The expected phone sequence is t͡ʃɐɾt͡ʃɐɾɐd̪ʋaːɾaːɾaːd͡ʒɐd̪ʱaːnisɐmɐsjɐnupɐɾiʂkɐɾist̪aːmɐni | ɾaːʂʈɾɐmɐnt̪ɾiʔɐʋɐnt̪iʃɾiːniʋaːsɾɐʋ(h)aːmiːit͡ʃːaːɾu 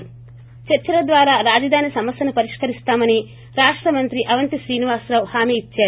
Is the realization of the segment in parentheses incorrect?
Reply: no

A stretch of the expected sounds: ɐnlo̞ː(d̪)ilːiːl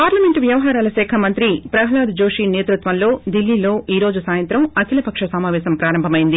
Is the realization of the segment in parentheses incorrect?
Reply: no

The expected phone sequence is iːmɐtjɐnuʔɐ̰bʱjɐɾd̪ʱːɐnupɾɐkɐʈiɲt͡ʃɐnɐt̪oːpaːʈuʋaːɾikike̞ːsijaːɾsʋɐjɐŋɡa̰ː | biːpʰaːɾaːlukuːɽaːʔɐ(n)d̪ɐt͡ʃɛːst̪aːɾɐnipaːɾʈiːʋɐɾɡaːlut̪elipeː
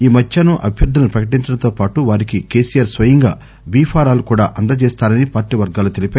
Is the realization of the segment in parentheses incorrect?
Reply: no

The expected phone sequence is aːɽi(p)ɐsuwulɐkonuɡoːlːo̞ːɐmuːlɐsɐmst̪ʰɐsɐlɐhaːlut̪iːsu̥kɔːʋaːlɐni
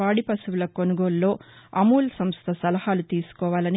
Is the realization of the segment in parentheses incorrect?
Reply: no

